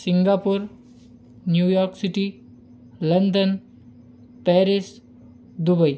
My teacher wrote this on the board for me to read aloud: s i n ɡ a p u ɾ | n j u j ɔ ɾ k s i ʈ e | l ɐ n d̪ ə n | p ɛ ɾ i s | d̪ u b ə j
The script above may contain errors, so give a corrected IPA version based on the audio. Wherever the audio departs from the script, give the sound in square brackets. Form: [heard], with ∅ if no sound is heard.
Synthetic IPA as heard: s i [ŋ] ɡ a p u ɾ | n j u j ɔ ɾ k s i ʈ [i] | l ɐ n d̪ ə n | p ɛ ɾ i s | d̪ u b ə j